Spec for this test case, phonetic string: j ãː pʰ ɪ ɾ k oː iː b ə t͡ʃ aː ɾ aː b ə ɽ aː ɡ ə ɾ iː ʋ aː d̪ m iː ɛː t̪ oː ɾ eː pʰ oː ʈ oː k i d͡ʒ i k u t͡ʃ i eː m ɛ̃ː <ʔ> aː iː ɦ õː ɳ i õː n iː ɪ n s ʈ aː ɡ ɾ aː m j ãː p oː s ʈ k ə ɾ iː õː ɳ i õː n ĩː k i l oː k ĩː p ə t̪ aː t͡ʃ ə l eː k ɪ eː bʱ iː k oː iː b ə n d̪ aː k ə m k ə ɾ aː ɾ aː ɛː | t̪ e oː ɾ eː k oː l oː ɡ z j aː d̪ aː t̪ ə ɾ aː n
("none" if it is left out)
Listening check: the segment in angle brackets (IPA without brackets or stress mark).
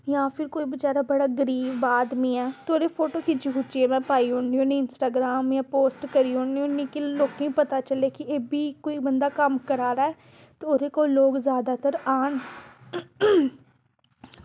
p